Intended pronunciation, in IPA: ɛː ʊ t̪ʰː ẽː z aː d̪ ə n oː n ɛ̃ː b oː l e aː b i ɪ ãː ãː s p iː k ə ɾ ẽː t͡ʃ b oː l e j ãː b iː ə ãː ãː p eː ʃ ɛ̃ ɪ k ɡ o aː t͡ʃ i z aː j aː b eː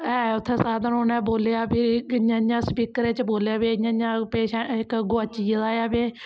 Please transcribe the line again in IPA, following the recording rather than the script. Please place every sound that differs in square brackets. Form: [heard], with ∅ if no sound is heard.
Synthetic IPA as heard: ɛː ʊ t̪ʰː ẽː [s] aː d̪ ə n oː n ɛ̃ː b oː l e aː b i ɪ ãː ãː s p iː k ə ɾ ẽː t͡ʃ b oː l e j [aː] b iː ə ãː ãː p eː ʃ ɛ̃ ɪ k ɡ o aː t͡ʃ i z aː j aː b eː